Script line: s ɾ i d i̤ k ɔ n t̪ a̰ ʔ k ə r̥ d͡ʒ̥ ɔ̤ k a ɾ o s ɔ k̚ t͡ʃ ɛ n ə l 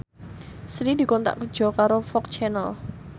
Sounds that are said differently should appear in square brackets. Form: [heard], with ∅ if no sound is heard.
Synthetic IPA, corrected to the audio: s ɾ i d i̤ k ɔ n t̪ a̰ ʔ k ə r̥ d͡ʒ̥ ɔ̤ k a ɾ o [f] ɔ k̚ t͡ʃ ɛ n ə l